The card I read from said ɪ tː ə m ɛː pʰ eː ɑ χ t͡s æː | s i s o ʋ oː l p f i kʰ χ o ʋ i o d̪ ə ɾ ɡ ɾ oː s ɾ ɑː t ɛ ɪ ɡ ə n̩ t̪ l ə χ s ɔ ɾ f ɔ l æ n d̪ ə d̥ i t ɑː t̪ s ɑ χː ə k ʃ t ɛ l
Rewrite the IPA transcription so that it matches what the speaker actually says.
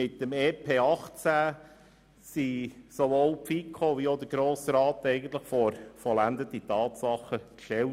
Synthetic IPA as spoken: ɪ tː ə m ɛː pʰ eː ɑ χ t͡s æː | s i s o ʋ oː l p f i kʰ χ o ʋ i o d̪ ə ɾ ɡ ɾ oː s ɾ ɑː t ɛ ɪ ɡ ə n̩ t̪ l ə χ f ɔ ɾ f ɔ l æ n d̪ ə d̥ i t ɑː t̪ s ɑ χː ə k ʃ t ɛ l